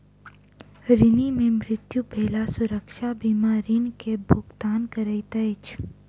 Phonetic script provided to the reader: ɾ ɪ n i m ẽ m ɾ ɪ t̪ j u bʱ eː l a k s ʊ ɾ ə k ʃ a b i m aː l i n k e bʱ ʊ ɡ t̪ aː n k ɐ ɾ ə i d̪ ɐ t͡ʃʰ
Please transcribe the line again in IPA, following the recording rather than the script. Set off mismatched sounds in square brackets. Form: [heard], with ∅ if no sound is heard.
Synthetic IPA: ɾ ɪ n i m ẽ m ɾ ɪ t̪ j u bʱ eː l a [∅] s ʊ ɾ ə k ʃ a b i m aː [ɾ] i n k e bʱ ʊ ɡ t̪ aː n k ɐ ɾ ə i [t̪] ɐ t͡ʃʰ